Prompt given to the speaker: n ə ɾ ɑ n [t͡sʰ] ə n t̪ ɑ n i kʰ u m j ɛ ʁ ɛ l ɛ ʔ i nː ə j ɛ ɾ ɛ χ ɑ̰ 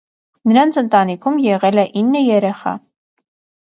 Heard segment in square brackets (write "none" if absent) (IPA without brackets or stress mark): t͡sʰ